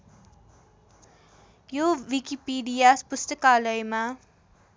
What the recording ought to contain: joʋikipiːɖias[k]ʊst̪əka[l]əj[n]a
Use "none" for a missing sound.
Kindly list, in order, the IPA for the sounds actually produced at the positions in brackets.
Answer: p, l, m

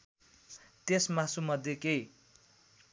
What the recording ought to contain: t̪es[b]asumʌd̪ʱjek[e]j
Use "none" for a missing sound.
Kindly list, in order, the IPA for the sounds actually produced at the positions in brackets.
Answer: m, e

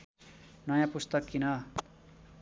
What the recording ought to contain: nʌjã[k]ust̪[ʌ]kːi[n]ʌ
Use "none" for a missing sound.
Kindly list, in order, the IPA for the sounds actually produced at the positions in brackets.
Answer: p, ʌ, n

